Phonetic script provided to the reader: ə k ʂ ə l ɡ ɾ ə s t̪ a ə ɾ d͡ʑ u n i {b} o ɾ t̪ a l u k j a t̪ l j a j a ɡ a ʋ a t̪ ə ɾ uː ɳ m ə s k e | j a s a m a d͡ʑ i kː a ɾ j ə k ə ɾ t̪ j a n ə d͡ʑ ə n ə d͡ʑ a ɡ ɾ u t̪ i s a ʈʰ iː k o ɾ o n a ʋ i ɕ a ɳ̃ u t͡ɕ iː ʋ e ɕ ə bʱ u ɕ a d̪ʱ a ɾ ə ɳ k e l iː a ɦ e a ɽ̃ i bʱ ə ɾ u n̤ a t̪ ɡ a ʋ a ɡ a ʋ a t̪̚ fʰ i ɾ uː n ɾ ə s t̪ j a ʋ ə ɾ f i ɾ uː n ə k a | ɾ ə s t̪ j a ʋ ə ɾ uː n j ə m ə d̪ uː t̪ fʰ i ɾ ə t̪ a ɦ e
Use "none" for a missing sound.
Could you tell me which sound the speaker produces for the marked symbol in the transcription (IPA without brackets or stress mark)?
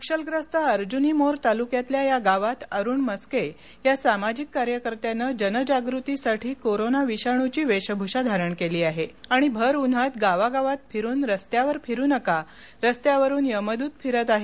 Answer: m